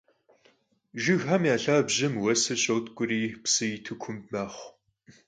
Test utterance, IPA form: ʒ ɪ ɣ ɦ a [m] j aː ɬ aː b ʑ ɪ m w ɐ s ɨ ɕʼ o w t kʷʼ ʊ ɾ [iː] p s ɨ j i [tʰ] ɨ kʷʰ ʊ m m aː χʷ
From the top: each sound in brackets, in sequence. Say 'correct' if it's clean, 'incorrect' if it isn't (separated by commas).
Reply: correct, correct, correct